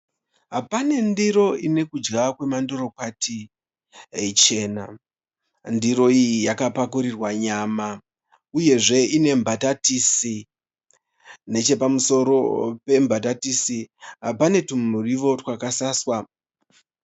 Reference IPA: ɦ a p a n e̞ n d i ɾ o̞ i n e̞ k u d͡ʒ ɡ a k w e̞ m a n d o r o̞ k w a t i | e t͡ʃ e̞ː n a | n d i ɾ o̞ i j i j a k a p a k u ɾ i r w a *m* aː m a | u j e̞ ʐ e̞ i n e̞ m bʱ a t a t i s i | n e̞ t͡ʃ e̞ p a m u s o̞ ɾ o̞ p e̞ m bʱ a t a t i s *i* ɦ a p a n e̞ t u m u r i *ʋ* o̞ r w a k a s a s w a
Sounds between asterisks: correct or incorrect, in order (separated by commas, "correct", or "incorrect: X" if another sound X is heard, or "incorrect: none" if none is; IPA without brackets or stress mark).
incorrect: ɲ, correct, correct